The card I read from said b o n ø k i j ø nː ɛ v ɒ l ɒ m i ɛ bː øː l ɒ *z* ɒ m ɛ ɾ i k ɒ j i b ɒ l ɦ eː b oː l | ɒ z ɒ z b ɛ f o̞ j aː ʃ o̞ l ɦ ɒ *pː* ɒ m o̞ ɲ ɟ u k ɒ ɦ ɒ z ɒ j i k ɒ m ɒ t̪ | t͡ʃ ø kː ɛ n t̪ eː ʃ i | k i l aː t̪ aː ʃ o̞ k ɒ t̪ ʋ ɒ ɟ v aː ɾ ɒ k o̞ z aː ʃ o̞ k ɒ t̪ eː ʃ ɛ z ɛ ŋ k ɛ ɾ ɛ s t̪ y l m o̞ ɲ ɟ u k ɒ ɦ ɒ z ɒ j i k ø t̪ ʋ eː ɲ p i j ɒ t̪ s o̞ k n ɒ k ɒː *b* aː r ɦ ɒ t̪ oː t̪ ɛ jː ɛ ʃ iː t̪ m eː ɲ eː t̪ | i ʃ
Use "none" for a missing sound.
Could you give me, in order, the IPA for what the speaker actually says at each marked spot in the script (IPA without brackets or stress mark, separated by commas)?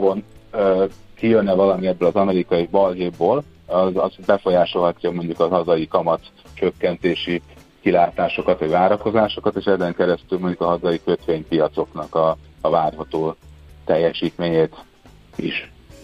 z, cː, v